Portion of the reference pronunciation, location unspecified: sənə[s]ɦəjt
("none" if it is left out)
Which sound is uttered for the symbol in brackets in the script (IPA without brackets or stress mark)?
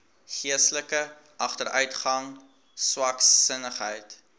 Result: χ